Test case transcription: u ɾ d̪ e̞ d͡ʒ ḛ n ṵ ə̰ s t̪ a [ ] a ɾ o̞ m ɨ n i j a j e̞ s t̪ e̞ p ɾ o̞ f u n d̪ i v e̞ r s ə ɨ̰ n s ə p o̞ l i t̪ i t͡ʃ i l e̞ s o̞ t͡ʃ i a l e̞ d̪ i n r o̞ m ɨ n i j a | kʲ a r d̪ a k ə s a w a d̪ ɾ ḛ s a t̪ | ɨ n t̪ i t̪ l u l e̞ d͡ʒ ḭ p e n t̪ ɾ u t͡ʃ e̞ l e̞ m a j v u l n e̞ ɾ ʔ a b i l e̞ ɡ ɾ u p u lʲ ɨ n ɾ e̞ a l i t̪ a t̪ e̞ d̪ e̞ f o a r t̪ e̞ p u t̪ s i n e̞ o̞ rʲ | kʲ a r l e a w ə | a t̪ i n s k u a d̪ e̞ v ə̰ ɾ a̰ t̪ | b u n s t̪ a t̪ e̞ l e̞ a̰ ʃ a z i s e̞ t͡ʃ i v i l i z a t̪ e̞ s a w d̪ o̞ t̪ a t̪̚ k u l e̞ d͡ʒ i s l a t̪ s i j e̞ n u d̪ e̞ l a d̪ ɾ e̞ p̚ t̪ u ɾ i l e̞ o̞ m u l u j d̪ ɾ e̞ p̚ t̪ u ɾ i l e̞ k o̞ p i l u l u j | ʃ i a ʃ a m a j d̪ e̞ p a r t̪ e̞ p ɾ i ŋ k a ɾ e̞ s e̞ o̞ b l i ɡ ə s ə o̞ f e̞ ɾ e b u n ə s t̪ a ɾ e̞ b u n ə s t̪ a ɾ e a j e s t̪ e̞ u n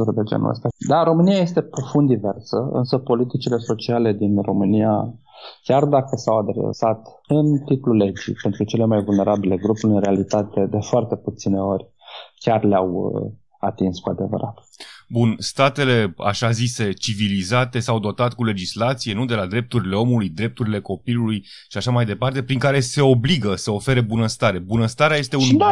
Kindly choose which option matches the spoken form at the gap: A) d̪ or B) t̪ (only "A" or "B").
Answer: A